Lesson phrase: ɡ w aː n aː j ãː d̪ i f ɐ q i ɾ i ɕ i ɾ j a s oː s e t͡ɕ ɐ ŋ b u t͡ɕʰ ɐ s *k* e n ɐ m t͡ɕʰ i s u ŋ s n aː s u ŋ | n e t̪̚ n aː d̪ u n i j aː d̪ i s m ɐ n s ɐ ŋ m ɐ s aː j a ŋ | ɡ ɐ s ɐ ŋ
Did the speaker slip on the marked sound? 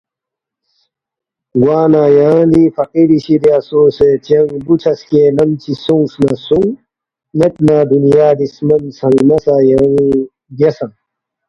no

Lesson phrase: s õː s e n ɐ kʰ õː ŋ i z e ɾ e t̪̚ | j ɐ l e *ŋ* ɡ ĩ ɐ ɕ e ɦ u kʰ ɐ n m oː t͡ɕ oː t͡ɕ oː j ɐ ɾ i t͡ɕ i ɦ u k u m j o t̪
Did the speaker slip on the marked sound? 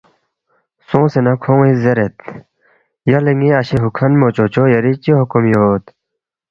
no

